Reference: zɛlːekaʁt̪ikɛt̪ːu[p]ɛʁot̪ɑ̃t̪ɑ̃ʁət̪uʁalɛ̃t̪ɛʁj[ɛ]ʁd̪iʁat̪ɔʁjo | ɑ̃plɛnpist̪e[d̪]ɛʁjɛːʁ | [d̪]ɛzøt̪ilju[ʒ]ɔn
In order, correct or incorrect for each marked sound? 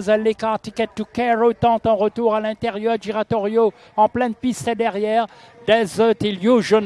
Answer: incorrect, incorrect, correct, correct, correct

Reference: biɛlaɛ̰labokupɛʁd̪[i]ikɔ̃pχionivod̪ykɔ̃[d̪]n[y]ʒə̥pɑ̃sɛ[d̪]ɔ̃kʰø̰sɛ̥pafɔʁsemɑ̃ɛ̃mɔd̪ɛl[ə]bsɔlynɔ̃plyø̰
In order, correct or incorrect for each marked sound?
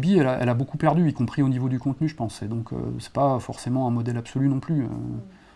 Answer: incorrect, incorrect, correct, correct, incorrect

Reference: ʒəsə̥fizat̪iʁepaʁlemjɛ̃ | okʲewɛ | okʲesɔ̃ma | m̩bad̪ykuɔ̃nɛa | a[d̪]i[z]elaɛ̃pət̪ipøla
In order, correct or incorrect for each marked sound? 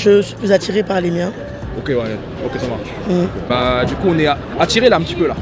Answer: incorrect, incorrect

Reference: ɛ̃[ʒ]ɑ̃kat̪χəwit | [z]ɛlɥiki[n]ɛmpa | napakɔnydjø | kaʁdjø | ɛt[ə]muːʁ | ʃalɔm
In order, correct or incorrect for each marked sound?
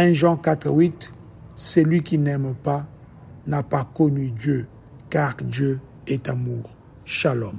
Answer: correct, incorrect, correct, incorrect

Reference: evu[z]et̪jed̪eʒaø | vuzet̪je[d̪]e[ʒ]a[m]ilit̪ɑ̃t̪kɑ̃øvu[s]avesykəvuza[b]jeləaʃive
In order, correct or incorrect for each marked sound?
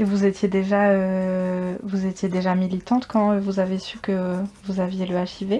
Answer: correct, correct, correct, correct, incorrect, incorrect

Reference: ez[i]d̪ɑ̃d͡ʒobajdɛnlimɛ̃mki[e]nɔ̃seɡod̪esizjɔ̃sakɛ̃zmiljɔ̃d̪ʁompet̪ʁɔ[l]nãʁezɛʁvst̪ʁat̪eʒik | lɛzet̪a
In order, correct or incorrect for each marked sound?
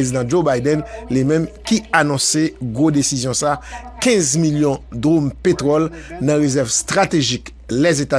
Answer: correct, incorrect, correct

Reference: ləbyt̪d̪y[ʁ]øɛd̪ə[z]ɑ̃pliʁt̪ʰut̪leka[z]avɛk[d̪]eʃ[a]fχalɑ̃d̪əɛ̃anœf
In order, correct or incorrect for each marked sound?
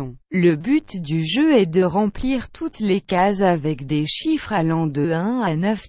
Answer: incorrect, incorrect, correct, correct, incorrect

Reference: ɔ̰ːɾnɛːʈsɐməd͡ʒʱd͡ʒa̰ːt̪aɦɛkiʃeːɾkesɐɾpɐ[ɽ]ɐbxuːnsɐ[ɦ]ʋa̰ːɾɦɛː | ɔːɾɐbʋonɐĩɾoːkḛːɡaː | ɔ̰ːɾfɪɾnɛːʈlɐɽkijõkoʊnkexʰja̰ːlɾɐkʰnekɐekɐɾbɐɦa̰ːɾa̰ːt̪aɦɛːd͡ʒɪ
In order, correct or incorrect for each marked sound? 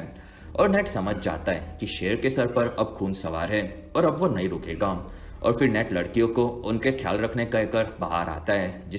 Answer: incorrect, incorrect

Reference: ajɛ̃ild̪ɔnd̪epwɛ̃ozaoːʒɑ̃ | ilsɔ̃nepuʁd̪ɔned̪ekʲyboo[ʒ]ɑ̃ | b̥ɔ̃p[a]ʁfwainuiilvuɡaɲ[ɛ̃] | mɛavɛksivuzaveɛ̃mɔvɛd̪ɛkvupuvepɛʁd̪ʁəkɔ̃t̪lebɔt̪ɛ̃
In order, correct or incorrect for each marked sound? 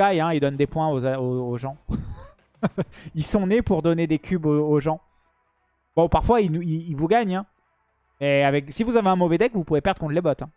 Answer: correct, correct, correct

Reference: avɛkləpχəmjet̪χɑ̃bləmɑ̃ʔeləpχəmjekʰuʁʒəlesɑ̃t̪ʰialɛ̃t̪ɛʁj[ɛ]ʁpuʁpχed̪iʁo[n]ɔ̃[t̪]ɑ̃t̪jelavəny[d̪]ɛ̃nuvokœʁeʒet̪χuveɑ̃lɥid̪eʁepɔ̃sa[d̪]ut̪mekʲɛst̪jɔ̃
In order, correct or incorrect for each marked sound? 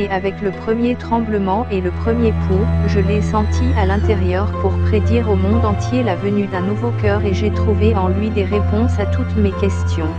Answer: incorrect, incorrect, incorrect, correct, incorrect

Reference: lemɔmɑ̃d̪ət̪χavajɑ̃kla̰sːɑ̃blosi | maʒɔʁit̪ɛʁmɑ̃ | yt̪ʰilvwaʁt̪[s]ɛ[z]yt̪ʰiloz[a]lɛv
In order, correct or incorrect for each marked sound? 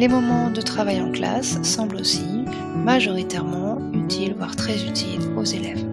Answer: incorrect, correct, incorrect

